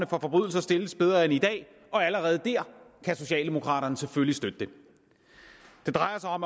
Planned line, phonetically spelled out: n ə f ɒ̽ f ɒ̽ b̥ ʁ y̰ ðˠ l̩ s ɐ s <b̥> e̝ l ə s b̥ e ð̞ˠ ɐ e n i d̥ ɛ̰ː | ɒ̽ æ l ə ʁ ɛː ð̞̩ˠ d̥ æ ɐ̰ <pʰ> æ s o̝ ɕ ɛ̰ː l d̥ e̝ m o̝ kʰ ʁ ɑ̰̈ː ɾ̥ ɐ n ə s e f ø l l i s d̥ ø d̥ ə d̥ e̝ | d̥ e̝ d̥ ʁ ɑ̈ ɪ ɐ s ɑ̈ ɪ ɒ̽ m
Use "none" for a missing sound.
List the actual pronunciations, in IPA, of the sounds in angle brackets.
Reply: d̥, kʰ

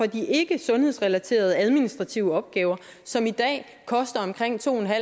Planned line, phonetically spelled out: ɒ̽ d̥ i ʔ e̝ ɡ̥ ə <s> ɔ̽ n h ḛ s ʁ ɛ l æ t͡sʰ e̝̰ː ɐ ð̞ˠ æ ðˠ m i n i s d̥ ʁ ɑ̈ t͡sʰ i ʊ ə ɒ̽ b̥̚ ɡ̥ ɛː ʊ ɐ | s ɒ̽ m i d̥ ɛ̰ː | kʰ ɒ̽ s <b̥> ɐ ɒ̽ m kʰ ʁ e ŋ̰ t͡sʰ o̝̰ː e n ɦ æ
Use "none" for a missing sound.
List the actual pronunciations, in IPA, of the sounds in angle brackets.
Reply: s, d̥

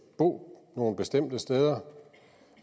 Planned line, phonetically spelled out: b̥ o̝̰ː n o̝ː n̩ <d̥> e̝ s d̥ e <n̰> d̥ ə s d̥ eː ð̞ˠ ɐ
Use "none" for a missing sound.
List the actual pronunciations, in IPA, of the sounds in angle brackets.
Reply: b̥, m̰

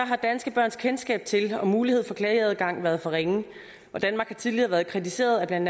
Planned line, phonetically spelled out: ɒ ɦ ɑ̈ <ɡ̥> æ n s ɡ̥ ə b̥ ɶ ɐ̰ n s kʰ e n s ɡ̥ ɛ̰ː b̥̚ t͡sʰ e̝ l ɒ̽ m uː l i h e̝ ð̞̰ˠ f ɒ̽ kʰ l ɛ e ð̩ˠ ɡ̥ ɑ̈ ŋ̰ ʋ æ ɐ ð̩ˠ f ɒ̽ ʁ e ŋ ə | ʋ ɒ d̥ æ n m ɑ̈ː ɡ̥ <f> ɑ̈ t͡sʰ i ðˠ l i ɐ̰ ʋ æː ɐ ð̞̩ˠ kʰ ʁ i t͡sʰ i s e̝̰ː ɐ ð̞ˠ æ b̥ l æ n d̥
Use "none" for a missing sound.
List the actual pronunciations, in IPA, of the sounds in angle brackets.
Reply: d̥, h

